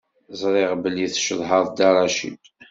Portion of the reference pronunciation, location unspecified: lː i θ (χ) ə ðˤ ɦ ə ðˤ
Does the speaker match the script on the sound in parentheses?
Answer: no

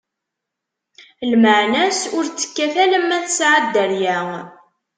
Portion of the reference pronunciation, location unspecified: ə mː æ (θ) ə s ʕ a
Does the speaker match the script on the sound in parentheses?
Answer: yes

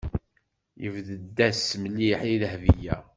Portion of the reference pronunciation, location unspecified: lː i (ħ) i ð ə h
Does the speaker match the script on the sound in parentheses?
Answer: yes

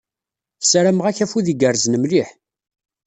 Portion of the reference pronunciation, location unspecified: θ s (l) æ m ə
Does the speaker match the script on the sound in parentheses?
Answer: no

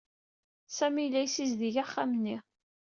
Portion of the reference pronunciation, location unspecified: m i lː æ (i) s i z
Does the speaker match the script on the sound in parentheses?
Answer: no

